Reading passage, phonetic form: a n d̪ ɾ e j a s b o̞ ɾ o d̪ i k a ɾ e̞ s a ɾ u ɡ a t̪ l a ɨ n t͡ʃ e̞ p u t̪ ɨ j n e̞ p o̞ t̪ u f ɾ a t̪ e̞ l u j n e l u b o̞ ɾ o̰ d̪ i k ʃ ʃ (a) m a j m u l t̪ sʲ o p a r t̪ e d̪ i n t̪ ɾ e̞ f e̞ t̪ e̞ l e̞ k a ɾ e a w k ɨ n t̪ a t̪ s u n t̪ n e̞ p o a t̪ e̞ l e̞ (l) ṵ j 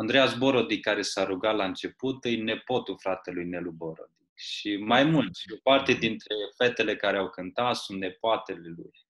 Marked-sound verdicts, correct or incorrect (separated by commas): incorrect, correct